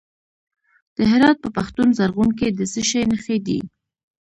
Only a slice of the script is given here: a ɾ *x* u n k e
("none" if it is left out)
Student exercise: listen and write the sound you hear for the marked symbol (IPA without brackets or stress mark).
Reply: ɣ